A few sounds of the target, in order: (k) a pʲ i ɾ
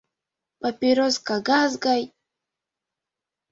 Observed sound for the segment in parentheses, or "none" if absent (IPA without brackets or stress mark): p